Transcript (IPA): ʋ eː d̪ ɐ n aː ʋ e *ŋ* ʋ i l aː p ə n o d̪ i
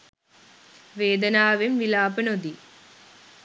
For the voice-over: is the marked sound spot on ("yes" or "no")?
no